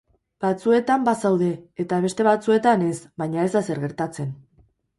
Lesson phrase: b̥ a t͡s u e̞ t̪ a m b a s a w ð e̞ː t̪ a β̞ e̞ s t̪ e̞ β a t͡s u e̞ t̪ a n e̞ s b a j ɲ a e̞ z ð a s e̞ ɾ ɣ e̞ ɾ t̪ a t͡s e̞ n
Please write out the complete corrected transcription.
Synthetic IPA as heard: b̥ a t͡s u e̞ t̪ a m b a s a w ð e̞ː t̪ a β̞ e̞ s t̪ e̞ β a t͡s u e̞ t̪ a n e̞ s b a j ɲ a e̞ z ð a s e̞ ɾ ɣ e̞ ɾ t̪ a t͡s e̞ n

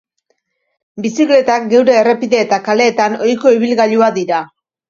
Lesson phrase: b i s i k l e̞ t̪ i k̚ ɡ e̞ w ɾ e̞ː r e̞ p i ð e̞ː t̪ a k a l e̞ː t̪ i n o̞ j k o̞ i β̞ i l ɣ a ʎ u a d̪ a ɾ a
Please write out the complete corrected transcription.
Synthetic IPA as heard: b i s i k l e̞ t̪ a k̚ ɡ e̞ w ɾ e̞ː r e̞ p i ð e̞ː t̪ a k a l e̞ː t̪ a n o̞ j k o̞ i β̞ i l ɣ a ʎ u a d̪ i ɾ a

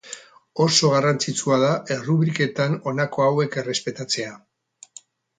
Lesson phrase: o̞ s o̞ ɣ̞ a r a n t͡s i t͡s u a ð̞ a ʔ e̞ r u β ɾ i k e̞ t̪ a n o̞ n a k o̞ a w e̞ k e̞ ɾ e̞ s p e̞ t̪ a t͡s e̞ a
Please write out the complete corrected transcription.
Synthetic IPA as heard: o̞ s o̞ ɣ̞ a r a n t͡s i t͡s u a ð̞ a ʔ e̞ r u β ɾ i k e̞ t̪ a n o̞ n a k o̞ a w e̞ k e̞ r e̞ s p e̞ t̪ a t͡s e̞ a

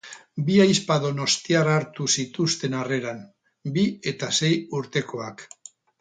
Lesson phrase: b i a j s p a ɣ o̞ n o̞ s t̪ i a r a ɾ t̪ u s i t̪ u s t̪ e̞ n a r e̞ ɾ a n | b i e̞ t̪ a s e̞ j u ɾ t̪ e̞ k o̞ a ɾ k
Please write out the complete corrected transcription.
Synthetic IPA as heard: b i a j s p a ð o̞ n o̞ s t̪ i a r a ɾ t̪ u s i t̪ u s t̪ e̞ n a r e̞ ɾ a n | b i e̞ t̪ a s e̞ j u ɾ t̪ e̞ k o̞ a k

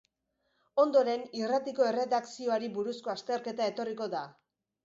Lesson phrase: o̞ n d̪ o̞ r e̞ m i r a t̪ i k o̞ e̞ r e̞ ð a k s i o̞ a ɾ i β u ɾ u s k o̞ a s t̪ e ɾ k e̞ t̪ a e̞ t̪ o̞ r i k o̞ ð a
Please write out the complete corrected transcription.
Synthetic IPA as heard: o̞ n d̪ o̞ ɾ e̞ n i r a t̪ i k o̞ e̞ r e̞ ð a k s i o̞ a ɾ i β u ɾ u s k o̞ a s t̪ e ɾ k e̞ t̪ a e̞ t̪ o̞ r i k o̞ ð a

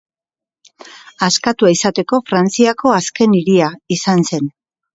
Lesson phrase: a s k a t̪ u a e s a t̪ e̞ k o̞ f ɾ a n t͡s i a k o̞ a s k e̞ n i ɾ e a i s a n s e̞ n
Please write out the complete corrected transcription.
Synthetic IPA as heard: a s k a t̪ u a i s a t̪ e̞ k o̞ f ɾ a n t͡s i a k o̞ a s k e̞ n i ɾ i a i s a n s e̞ n

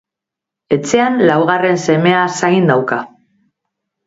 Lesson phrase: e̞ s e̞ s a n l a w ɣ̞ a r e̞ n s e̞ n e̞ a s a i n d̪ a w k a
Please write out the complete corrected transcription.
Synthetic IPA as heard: e̞ t͡s e̞ a n l a w ɣ̞ a r e̞ n s e̞ m e̞ a s a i n d̪ a w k a

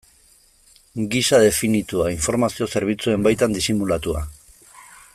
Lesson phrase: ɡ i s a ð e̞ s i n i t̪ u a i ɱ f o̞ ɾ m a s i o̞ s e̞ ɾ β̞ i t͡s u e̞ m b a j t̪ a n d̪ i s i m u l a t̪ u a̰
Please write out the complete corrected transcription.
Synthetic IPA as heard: ɡ i s a ð e̞ f i n i t̪ u a i ɱ f o̞ ɾ m a s i o̞ s e̞ ɾ β̞ i t͡s u e̞ m b a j t̪ a n d̪ i s i m u l a t̪ u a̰

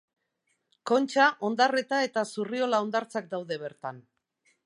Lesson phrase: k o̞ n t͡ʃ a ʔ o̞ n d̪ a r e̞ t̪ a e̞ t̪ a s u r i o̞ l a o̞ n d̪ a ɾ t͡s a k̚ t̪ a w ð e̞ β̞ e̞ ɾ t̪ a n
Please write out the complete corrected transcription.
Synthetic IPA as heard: k o̞ n t͡ʃ a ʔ o̞ n d̪ a r e̞ t̪ a e̞ t̪ a s u r i o̞ l a o̞ n d̪ a ɾ t͡s a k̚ d̪ a w ð e̞ β̞ e̞ ɾ t̪ a n

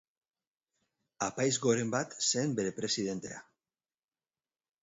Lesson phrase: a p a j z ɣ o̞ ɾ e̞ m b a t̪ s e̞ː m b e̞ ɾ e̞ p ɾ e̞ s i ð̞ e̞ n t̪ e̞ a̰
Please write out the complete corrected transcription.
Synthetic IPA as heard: a p a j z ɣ o̞ ɾ e̞ m b a t̪ s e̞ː m b e̞ ɾ e̞ p ɾ e̞ s i ð̞ e̞ n t̪ e̞ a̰

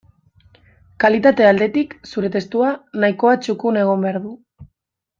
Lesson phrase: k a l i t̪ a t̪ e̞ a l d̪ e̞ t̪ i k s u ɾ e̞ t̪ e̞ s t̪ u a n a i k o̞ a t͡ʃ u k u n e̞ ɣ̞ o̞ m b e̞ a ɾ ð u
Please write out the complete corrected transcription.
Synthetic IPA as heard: k a l i t̪ a t̪ e̞ a l d̪ e̞ t̪ i k s u ɾ e̞ t̪ e̞ s t̪ u a n a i k o̞ a t͡ʃ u k u n e̞ ɣ̞ o̞ m b e̞ a ɾ ð u

